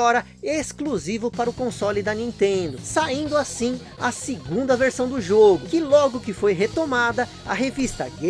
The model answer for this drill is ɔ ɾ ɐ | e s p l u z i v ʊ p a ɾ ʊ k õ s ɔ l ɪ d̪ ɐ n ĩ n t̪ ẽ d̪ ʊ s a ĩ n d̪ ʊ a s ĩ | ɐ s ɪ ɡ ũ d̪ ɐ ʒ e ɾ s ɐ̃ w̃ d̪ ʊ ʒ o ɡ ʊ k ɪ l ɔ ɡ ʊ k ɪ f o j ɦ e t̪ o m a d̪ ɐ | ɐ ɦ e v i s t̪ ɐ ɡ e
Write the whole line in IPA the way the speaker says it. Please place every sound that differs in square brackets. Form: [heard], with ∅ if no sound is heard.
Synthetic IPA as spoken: ɔ ɾ ɐ | e s [k] l u z i v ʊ p a ɾ ʊ k õ s ɔ l ɪ d̪ ɐ n ĩ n t̪ ẽ d̪ ʊ s a ĩ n d̪ ʊ a s ĩ | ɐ s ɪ ɡ ũ d̪ ɐ [v] e ɾ s ɐ̃ w̃ d̪ ʊ ʒ o ɡ ʊ k ɪ l ɔ ɡ ʊ k ɪ f o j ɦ e t̪ o m a d̪ ɐ | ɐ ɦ e v i s t̪ ɐ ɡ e